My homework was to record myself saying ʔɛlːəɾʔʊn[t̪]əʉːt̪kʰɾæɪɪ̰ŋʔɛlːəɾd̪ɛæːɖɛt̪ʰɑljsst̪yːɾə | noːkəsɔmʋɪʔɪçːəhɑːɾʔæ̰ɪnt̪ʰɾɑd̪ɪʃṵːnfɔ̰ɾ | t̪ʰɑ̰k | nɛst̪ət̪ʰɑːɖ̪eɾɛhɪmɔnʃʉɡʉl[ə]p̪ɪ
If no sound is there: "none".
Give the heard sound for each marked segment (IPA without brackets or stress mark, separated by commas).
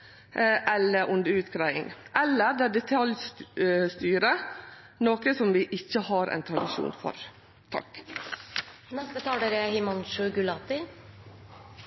d̪, ɑ